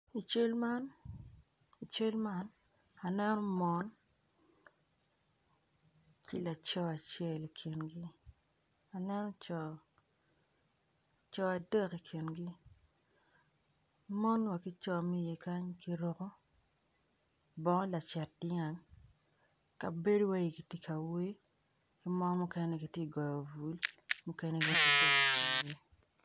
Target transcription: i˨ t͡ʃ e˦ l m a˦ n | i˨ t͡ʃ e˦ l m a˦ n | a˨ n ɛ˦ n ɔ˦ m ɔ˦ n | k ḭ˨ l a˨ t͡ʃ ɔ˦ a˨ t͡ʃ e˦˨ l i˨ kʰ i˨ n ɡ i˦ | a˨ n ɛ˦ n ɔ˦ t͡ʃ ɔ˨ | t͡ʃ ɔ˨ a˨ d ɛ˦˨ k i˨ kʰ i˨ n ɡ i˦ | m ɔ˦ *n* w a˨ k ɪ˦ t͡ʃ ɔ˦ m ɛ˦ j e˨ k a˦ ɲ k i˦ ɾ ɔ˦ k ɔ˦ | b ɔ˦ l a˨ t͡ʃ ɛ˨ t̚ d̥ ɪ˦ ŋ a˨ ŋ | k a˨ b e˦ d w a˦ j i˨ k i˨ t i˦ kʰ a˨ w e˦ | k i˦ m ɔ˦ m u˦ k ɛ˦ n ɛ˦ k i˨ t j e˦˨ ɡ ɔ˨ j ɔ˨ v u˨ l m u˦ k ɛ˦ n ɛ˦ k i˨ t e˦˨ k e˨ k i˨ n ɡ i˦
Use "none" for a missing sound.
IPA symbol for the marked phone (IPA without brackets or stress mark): n